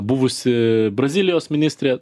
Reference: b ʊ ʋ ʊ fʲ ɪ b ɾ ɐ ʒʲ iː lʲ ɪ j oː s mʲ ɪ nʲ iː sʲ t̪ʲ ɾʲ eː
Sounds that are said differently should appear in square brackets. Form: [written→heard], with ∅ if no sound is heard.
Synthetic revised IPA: b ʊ ʋ ʊ [fʲ→sʲ] ɪ b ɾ ɐ [ʒʲ→zʲ] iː lʲ ɪ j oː s mʲ ɪ nʲ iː sʲ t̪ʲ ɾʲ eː

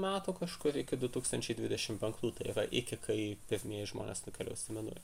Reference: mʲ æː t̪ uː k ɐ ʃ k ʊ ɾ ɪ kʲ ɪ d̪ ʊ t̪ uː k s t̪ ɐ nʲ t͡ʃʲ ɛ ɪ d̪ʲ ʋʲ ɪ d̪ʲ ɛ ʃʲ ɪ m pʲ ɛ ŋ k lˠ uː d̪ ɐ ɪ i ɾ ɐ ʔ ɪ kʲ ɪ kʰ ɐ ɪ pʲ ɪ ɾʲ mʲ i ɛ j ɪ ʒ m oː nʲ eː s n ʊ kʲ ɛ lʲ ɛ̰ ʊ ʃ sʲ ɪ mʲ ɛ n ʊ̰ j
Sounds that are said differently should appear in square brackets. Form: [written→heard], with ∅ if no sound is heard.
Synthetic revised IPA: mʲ æː t̪ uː k ɐ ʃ k ʊ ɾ ɪ kʲ ɪ d̪ ʊ t̪ uː k s t̪ ɐ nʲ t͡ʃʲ ɛ ɪ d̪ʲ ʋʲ ɪ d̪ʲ ɛ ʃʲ ɪ m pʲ ɛ ŋ k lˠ uː [d̪→t̪] ɐ ɪ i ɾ ɐ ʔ ɪ kʲ ɪ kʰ ɐ ɪ pʲ ɪ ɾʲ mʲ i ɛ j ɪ ʒ m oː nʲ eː s n ʊ kʲ ɛ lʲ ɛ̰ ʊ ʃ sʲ ɪ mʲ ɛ n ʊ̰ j

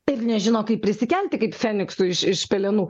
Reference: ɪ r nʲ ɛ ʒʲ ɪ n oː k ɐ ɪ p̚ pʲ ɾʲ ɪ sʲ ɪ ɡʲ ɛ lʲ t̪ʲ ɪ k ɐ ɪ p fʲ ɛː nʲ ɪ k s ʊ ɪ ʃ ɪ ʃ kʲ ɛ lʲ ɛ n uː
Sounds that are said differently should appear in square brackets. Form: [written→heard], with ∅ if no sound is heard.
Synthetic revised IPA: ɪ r nʲ ɛ ʒʲ ɪ n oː k ɐ ɪ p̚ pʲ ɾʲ ɪ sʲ ɪ [ɡʲ→kʲ] ɛ lʲ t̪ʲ ɪ k ɐ ɪ p fʲ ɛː nʲ ɪ k s ʊ ɪ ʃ ɪ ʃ [kʲ→pʲ] ɛ lʲ ɛ n uː

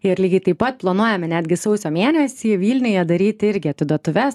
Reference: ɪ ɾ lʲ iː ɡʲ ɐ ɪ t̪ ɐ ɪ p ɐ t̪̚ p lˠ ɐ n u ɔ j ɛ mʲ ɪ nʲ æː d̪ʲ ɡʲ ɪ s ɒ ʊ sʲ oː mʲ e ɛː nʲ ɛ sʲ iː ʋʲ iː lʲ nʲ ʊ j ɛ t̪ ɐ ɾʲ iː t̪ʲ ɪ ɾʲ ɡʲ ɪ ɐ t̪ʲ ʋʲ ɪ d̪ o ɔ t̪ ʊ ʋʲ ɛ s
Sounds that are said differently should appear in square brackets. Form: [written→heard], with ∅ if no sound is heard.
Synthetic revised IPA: ɪ ɾ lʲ iː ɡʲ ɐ ɪ t̪ ɐ ɪ p ɐ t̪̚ p lˠ ɐ n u ɔ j ɛ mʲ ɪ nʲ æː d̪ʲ ɡʲ ɪ s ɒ ʊ sʲ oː mʲ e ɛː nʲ ɛ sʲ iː ʋʲ iː lʲ nʲ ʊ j ɛ [t̪→d̪] ɐ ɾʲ iː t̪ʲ ɪ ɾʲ ɡʲ ɪ ɐ t̪ʲ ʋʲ ɪ d̪ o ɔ t̪ ʊ ʋʲ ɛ s

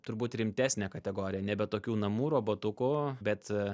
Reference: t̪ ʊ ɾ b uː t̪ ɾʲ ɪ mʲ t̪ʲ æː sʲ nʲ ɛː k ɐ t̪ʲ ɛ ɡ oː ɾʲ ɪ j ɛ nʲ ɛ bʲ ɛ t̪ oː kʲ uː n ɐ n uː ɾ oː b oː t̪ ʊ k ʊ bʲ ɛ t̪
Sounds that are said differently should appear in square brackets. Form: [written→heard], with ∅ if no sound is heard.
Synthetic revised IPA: t̪ ʊ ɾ b uː t̪ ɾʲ ɪ mʲ t̪ʲ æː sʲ nʲ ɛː k ɐ t̪ʲ ɛ ɡ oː ɾʲ ɪ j ɛ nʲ ɛ bʲ ɛ t̪ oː kʲ uː n ɐ [n→m] uː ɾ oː b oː t̪ ʊ k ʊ bʲ ɛ t̪

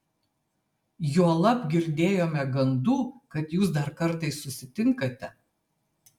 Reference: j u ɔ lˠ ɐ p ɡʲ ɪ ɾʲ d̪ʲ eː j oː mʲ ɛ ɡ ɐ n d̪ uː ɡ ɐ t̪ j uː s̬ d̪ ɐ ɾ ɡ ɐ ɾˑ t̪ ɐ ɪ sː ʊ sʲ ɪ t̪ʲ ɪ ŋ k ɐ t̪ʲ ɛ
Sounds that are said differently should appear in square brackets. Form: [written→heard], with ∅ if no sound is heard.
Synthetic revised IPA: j u ɔ lˠ ɐ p ɡʲ ɪ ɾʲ d̪ʲ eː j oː mʲ ɛ ɡ ɐ n d̪ uː [ɡ→k] ɐ t̪ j uː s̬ d̪ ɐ ɾ [ɡ→k] ɐ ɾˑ t̪ ɐ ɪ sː ʊ sʲ ɪ t̪ʲ ɪ ŋ k ɐ t̪ʲ ɛ

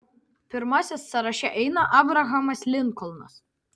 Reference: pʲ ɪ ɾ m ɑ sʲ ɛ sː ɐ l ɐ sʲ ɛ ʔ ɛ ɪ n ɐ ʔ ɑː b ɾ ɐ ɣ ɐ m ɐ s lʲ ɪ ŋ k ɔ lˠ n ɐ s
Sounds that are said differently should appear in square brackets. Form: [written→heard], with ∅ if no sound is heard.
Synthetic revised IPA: pʲ ɪ ɾ m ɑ sʲ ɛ sː ɐ [l→ɾ] ɐ [sʲ→ʃʲ] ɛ ʔ ɛ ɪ n ɐ ʔ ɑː b ɾ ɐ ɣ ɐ m ɐ s lʲ ɪ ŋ k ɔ lˠ n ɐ s

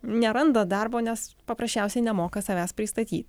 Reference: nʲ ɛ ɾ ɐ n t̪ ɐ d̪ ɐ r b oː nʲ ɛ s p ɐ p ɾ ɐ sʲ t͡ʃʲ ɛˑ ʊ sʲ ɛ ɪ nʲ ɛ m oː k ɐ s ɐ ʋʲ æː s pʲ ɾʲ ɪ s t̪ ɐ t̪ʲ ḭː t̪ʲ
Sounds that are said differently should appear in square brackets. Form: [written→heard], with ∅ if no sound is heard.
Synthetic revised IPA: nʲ ɛ ɾ ɐ n [t̪→d̪] ɐ d̪ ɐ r b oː nʲ ɛ s p ɐ p ɾ ɐ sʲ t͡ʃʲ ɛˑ ʊ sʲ ɛ ɪ nʲ ɛ m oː k ɐ s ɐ ʋʲ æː s pʲ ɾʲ ɪ s t̪ ɐ t̪ʲ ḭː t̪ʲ

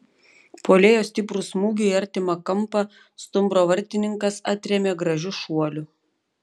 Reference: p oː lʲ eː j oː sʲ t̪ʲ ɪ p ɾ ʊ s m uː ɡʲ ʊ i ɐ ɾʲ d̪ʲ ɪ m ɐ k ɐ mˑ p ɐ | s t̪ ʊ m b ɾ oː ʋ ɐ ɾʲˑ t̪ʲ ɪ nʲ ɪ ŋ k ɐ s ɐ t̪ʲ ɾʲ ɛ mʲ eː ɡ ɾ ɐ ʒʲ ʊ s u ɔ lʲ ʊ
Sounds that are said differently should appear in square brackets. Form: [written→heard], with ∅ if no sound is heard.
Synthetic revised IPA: p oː lʲ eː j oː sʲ t̪ʲ ɪ p ɾ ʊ s m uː ɡʲ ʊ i ɐ ɾʲ [d̪ʲ→t̪ʲ] ɪ m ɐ k ɐ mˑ p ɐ | s t̪ ʊ m b ɾ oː ʋ ɐ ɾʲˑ t̪ʲ ɪ nʲ ɪ ŋ k ɐ s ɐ t̪ʲ ɾʲ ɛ mʲ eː ɡ ɾ ɐ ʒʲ ʊ [s→ʃ] u ɔ lʲ ʊ

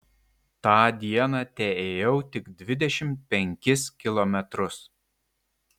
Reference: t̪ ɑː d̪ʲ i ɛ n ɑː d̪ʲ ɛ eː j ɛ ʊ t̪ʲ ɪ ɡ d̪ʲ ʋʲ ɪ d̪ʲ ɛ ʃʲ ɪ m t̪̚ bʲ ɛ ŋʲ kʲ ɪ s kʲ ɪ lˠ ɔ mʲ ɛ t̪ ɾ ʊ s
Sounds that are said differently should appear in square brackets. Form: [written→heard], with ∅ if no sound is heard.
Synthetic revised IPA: t̪ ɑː d̪ʲ i ɛ n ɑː [d̪ʲ→t̪ʲ] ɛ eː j ɛ ʊ t̪ʲ ɪ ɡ d̪ʲ ʋʲ ɪ d̪ʲ ɛ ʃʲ ɪ m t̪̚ [bʲ→pʲ] ɛ ŋʲ kʲ ɪ s kʲ ɪ lˠ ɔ mʲ ɛ t̪ ɾ ʊ s

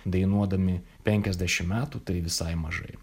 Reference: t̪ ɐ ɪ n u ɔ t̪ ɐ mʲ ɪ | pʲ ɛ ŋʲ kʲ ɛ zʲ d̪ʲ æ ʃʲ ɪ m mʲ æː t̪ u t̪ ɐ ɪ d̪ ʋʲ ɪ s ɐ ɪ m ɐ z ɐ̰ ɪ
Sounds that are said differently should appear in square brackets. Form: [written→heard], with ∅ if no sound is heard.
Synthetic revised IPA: [t̪→d̪] ɐ ɪ n u ɔ [t̪→d̪] ɐ mʲ ɪ | pʲ ɛ ŋʲ kʲ ɛ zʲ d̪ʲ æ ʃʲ ɪ m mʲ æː t̪ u t̪ ɐ ɪ [d̪→∅] ʋʲ ɪ s ɐ ɪ m ɐ [z→ʒ] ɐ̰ ɪ

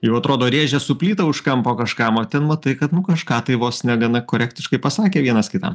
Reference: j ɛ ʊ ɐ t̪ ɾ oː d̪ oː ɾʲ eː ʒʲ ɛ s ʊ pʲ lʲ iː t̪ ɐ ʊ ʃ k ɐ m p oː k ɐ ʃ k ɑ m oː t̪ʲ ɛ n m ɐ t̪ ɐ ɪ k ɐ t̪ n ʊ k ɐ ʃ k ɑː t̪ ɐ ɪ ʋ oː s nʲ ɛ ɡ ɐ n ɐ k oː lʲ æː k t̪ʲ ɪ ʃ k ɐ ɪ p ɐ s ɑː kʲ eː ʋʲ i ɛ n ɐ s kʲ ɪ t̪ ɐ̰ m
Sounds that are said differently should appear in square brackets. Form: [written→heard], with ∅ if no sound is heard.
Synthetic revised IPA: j ɛ ʊ ɐ t̪ ɾ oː d̪ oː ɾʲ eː ʒʲ ɛ s ʊ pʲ lʲ iː t̪ ɐ ʊ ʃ k ɐ m p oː k ɐ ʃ k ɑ m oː t̪ʲ ɛ n m ɐ t̪ ɐ ɪ k ɐ t̪ n ʊ k ɐ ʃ k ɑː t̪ ɐ ɪ ʋ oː s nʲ ɛ ɡ ɐ n ɐ k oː [lʲ→ɾʲ] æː k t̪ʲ ɪ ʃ k ɐ ɪ p ɐ s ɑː kʲ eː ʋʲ i ɛ n ɐ s kʲ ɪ t̪ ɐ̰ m

